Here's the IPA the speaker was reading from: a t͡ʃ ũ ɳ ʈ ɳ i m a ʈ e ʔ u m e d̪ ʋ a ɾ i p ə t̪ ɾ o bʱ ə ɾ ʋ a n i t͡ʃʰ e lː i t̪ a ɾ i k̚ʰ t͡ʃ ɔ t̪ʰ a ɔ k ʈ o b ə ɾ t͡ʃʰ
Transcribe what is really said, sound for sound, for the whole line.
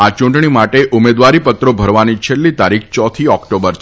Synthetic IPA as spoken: a t͡ʃ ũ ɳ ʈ ɳ i m a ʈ e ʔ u m e d̪ ʋ a ɾ i p ə t̪ ɾ o bʱ ə ɾ ʋ a n i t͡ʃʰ e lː i t̪ a ɾ i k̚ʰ t͡ʃ ɔ t̪ʰ i ɔ k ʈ o b ə ɾ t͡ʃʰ